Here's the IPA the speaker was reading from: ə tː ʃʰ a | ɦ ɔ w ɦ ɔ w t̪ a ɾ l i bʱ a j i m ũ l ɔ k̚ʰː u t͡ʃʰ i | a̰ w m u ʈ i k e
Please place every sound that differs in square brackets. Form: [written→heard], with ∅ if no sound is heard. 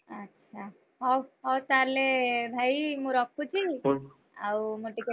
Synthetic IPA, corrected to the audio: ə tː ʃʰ a | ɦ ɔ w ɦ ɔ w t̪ a ɾ l [i→e] bʱ a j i m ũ [l→ɾ] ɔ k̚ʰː u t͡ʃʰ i | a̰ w m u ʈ i k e